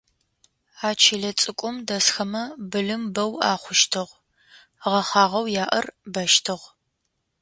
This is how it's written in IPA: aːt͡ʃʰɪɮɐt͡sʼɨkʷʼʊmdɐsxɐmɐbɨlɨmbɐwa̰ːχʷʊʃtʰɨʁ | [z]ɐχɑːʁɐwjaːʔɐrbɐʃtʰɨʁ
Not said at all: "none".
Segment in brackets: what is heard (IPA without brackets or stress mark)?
ʁ